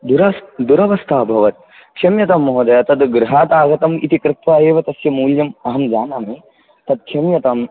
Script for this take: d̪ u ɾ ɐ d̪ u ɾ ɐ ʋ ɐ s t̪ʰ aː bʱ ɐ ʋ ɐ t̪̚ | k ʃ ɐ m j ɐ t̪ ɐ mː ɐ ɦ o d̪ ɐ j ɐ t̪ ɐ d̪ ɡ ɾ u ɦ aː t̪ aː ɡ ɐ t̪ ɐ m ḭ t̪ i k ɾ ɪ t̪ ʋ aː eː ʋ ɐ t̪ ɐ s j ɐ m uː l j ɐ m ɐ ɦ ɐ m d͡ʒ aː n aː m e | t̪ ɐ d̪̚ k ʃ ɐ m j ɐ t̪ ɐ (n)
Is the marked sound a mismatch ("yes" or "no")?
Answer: yes